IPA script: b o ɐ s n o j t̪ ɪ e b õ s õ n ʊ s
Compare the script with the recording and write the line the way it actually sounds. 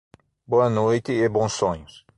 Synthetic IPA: b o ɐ n o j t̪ ɪ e b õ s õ ɲ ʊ s